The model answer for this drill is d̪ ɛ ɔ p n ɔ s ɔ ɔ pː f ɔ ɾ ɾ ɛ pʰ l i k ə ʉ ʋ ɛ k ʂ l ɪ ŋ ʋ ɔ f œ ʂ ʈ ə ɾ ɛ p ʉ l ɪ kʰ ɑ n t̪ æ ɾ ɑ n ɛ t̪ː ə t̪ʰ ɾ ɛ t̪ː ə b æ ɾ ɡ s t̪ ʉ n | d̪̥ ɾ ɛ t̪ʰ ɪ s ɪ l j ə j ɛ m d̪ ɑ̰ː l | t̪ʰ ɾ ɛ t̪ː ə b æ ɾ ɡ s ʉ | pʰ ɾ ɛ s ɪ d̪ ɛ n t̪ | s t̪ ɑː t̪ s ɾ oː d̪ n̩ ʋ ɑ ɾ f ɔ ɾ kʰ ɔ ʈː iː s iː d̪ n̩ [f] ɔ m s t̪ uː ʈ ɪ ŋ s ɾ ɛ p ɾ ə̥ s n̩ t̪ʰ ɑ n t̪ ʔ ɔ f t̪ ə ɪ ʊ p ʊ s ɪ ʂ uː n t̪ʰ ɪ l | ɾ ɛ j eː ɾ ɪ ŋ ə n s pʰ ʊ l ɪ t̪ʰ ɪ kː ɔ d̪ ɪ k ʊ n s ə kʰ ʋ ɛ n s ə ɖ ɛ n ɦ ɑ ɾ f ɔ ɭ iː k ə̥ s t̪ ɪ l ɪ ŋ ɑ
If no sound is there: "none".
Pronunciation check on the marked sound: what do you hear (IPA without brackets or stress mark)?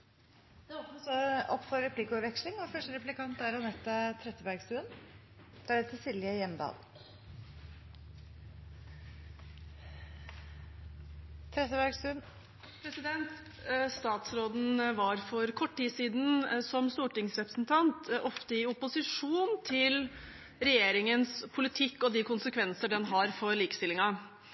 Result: s